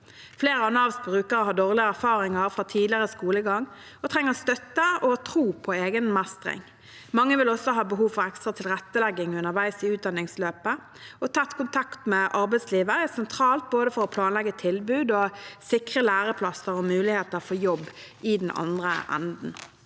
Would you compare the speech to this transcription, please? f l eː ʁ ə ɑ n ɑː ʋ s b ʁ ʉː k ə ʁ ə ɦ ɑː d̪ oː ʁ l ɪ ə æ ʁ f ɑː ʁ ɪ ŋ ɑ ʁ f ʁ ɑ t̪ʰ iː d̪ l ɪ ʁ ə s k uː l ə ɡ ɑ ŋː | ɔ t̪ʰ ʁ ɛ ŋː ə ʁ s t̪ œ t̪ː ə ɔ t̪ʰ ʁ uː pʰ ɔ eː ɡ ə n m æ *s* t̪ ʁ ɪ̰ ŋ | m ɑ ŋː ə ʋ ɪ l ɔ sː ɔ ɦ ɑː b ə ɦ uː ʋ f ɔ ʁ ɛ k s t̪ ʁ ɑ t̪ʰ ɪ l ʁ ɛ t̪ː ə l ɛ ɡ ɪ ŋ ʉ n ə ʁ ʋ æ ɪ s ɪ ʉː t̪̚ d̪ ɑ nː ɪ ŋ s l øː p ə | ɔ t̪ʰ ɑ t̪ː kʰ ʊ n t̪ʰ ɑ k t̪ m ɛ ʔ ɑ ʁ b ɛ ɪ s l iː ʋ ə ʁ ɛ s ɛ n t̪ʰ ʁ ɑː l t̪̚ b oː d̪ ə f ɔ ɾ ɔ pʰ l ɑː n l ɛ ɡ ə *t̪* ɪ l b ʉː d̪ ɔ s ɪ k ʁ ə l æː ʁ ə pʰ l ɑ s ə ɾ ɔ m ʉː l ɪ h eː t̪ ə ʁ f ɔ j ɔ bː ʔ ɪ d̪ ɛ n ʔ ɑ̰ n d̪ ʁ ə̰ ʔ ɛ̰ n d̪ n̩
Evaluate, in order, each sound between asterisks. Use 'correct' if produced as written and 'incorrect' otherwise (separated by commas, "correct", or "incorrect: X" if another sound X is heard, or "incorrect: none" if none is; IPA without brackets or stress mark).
correct, incorrect: t̪ʰ